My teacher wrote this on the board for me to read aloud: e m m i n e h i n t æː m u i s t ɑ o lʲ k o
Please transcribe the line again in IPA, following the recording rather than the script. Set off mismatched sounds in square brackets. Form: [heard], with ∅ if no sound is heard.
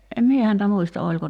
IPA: e m m i [∅] e h [æ] n t [æ] m u i s t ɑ o lʲ k o